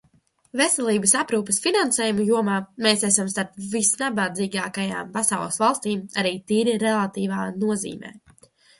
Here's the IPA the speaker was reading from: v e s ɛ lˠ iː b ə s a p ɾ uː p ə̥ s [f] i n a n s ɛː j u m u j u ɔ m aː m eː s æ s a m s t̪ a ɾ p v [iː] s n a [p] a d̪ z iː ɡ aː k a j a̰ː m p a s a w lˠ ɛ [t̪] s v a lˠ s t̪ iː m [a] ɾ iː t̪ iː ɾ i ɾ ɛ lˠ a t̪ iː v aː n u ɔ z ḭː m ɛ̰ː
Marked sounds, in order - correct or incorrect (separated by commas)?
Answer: correct, incorrect, incorrect, incorrect, correct